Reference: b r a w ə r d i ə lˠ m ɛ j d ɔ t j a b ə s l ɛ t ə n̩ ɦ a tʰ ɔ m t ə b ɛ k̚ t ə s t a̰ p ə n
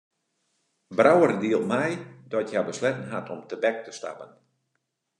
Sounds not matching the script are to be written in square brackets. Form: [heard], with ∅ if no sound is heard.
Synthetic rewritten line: b r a w ə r d i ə lˠ m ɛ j d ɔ t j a b ə s l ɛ t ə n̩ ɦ a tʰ ɔ m t ə b ɛ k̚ t ə s t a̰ p ə n